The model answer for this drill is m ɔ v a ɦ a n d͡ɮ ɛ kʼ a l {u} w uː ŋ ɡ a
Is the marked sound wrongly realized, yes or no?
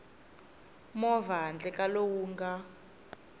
yes